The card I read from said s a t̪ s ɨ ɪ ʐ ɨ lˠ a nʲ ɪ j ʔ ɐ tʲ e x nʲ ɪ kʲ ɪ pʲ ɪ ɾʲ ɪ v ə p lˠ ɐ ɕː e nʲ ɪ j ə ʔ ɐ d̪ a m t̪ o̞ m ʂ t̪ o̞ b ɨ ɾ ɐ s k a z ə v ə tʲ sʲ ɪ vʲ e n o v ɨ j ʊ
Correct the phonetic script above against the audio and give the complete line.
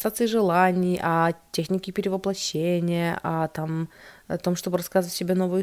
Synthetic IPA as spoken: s a t̪ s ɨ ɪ ʐ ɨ lˠ a nʲ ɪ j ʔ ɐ tʲ e x nʲ ɪ kʲ ɪ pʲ ɪ ɾʲ ɪ v ə p lˠ ɐ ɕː e nʲ ɪ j ə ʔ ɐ t̪ a m t̪ o̞ m ʂ t̪ o̞ b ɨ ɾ ɐ s k a z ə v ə tʲ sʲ ɪ bʲ e n o v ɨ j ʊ